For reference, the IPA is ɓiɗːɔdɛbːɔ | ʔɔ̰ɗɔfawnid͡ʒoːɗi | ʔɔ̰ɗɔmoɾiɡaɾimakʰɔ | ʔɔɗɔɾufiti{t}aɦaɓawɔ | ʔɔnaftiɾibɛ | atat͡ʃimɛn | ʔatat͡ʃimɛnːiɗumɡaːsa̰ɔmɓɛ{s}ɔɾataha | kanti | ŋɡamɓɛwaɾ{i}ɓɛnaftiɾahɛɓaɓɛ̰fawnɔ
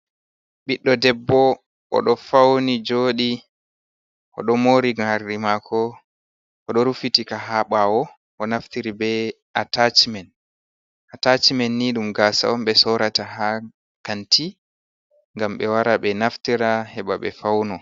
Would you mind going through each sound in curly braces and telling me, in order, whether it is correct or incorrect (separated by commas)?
incorrect, correct, incorrect